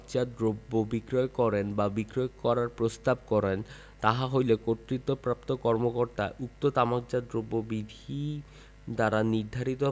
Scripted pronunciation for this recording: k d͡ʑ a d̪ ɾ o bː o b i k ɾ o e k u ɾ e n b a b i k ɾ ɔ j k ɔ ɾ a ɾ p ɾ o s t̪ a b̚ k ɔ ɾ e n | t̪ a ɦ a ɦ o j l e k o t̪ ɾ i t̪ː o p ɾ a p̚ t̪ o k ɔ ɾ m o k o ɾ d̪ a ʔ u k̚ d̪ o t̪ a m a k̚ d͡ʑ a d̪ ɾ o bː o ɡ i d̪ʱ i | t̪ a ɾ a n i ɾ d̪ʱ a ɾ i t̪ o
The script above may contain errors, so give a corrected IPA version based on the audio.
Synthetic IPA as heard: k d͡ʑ a d̪ ɾ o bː o b i k ɾ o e k ɔ ɾ e n b a b i k ɾ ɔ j k ɔ ɾ a ɾ p ɾ o s t̪ a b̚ k ɔ ɾ e n | t̪ a ɦ a ɦ o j l e k o t̪ ɾ i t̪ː o p ɾ a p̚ t̪ o k ɔ ɾ m o k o ɾ t̪ a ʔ u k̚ t̪ o t̪ a m a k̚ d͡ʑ a d̪ ɾ o bː o b i d̪ʱ i | d̪ a ɾ a n i ɾ d̪ʱ a ɾ i t̪ o